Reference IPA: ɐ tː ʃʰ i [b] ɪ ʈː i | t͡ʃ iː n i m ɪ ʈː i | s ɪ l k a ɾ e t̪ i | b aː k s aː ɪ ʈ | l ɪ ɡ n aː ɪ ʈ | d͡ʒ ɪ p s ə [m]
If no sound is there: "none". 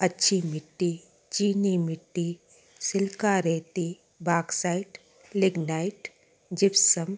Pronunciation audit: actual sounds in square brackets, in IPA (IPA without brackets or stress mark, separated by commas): m, m